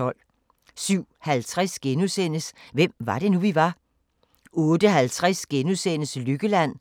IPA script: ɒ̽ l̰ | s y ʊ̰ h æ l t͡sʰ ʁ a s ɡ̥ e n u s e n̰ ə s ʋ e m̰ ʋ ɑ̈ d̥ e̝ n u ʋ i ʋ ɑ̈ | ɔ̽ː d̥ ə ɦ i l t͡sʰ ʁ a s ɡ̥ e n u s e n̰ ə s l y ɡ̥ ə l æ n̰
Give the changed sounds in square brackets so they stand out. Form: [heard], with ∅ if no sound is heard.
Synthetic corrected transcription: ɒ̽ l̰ | s y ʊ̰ h æ l t͡sʰ ʁ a s ɡ̥ e n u s e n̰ ə s ʋ e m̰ ʋ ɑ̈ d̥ e̝ n u ʋ i ʋ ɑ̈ | ɔ̽ː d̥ ə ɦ [æ] l t͡sʰ ʁ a s ɡ̥ e n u s e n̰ ə s l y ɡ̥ ə l æ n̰